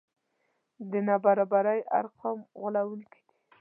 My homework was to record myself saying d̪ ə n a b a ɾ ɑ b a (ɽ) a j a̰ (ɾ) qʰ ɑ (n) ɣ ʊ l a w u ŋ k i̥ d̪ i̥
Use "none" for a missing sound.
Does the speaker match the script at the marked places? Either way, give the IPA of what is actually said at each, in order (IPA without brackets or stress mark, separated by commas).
ɾ, ɾ, m